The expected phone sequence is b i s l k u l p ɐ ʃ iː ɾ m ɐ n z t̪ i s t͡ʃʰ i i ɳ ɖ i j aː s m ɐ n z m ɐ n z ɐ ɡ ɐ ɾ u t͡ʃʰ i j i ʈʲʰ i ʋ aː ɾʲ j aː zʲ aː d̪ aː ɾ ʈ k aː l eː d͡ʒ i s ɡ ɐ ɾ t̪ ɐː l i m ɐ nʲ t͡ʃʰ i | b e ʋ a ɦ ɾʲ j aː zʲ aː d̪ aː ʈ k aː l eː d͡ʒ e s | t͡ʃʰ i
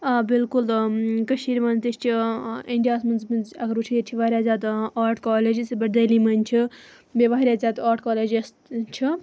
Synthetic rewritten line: b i l k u l k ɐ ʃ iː ɾ m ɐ n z t̪ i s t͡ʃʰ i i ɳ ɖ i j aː s m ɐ n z m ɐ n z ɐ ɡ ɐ ɾ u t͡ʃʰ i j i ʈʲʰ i ʋ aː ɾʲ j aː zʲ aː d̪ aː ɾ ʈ k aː l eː d͡ʒ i s b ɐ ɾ d̪ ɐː l i m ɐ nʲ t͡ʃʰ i | b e ʋ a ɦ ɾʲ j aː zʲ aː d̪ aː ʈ k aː l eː d͡ʒ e s | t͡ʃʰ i